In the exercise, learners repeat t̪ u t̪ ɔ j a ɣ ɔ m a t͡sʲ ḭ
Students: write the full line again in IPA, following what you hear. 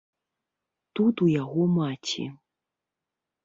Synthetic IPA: t̪ u t̪ u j a ɣ ɔ m a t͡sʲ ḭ